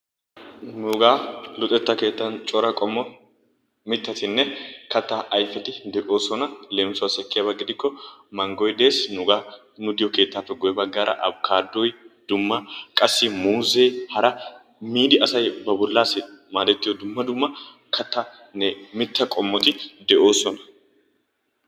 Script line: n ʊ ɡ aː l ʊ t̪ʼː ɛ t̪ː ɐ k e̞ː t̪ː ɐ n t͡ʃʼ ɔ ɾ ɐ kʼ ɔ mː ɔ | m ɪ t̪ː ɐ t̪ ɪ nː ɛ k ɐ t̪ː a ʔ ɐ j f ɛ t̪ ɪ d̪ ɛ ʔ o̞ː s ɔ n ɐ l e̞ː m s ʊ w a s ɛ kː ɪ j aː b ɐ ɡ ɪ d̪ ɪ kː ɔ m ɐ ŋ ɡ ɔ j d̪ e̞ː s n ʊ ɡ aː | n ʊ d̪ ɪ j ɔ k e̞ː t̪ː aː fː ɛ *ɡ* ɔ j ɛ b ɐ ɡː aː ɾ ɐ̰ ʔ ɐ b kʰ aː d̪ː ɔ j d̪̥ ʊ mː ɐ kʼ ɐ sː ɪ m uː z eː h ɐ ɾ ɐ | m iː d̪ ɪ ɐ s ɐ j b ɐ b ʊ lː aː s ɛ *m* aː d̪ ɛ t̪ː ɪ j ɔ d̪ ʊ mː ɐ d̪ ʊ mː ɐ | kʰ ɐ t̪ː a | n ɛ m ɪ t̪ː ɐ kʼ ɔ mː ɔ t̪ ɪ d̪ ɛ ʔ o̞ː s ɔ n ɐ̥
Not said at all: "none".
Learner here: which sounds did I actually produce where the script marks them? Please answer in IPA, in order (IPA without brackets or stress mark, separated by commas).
ɡ, m